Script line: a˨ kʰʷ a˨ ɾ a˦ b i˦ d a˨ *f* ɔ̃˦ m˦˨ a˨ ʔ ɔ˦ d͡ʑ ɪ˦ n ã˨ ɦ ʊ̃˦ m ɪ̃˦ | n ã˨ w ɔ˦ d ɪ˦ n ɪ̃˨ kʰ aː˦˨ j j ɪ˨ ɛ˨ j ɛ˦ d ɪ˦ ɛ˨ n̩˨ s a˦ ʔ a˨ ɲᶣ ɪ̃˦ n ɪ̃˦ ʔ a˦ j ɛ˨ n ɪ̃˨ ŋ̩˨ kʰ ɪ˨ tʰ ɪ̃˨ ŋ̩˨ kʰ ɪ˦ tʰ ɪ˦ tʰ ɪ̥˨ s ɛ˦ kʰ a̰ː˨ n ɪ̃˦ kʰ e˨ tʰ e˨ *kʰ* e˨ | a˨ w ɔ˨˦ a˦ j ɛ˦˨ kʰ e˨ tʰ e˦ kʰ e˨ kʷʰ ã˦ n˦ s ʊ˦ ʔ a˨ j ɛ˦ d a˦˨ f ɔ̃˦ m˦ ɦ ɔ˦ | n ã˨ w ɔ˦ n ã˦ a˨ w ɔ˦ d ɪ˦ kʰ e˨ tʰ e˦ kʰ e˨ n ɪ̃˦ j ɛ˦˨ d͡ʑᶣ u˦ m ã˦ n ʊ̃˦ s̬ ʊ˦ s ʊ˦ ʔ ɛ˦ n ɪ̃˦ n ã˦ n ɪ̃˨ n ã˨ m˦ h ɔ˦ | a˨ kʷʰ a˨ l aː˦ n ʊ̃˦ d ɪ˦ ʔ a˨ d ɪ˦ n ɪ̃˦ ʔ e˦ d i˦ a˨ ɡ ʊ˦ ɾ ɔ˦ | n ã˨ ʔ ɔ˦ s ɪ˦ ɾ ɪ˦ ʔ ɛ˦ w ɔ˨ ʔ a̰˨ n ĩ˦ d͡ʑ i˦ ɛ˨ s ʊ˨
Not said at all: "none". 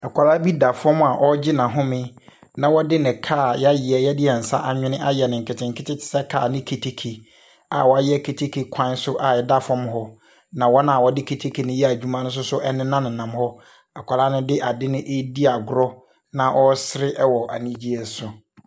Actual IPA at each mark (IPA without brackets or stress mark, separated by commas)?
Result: f, kʰ